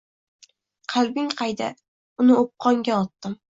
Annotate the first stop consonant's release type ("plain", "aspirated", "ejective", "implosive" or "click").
aspirated